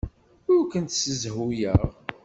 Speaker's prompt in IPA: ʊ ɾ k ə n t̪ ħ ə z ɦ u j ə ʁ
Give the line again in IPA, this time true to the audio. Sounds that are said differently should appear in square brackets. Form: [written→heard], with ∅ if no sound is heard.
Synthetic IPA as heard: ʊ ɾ k ə n t̪ [ħ→s] ə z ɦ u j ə ʁ